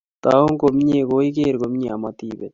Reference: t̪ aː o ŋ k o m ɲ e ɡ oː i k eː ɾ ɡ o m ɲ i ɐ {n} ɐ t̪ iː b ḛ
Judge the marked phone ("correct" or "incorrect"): incorrect